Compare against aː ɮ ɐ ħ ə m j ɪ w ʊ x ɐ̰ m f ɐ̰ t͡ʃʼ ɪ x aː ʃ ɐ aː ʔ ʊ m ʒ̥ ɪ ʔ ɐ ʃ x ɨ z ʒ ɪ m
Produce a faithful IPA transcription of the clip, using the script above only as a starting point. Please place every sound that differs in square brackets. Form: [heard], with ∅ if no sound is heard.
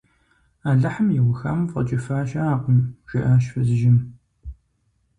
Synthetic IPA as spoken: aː ɮ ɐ ħ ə m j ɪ w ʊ x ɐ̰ m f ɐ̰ t͡ʃʼ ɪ [f] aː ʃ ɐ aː [q] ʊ m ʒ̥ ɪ ʔ ɐ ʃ [f] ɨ z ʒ ɪ m